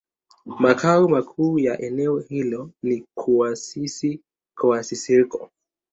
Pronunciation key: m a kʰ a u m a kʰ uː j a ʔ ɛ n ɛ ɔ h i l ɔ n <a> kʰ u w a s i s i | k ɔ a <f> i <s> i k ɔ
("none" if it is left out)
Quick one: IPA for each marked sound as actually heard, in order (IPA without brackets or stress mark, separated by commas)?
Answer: i, s, s